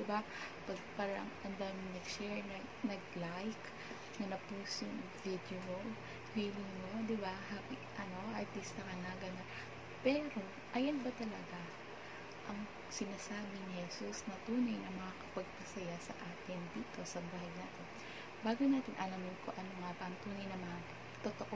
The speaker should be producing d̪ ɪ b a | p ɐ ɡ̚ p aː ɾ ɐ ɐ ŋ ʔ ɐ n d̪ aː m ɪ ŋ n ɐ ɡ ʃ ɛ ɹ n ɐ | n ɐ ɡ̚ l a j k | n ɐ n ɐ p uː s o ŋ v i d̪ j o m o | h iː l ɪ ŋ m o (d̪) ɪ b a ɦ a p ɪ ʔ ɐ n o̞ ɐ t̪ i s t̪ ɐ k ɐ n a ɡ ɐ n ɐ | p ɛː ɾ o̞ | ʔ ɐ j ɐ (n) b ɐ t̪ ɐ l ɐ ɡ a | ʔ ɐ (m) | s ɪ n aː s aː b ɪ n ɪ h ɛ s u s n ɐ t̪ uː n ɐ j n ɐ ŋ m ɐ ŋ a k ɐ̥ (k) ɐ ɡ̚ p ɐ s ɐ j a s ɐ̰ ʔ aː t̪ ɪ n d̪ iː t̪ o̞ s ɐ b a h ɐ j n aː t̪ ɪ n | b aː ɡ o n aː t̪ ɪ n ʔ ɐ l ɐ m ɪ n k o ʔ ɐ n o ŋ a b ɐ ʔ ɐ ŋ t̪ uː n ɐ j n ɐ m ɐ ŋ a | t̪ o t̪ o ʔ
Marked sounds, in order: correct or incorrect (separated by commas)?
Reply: correct, correct, incorrect, incorrect